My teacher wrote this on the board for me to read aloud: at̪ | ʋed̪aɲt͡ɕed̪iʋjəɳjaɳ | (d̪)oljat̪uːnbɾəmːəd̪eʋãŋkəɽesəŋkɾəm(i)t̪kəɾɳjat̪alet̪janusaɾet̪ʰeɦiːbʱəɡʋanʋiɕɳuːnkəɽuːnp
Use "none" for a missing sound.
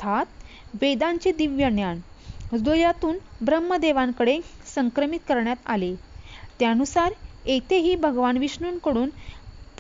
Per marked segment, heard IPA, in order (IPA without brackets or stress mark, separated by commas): d̪, i